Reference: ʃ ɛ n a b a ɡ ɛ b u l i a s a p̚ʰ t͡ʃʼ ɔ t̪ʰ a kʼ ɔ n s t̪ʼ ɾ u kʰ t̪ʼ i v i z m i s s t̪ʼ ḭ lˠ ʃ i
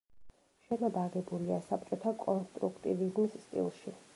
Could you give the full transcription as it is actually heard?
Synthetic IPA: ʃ ɛ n a b a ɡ ɛ b u l i a s a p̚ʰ t͡ʃʼ ɔ t̪ʰ a kʼ ɔ n s t̪ʼ ɾ u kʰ t̪ʼ i v i z m i s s t̪ʼ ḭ lˠ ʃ i